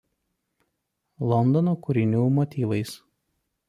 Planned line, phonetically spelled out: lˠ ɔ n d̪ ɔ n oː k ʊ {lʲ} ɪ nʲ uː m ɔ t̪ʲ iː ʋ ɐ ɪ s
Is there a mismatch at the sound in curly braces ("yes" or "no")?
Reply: yes